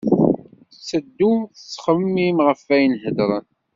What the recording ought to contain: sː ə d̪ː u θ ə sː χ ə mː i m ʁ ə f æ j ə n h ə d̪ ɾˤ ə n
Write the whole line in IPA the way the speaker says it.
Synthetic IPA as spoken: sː ə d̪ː u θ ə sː χ ə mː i m ʁ ə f æ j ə n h ə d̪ ɾˤ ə n